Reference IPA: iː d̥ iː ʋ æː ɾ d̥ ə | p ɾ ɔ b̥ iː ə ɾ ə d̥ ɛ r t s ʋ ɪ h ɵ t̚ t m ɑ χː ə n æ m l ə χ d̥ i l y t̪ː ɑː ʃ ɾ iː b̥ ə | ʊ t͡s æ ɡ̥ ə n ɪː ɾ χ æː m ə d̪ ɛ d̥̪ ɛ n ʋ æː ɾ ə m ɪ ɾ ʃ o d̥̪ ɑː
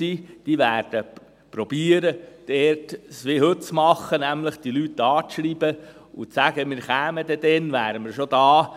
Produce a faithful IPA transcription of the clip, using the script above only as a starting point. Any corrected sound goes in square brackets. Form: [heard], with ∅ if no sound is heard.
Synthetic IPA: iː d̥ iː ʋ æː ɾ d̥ ə | p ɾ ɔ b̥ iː ə ɾ ə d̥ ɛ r t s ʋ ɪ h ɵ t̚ [t͡s] m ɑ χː ə n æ m l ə χ d̥ i l y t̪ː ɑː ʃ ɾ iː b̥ ə | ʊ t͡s æ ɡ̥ ə [m] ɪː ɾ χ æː m ə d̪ ɛ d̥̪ ɛ n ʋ æː ɾ ə m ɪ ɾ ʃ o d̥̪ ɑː